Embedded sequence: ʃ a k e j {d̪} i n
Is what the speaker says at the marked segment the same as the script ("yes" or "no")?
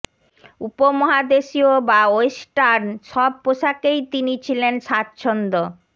no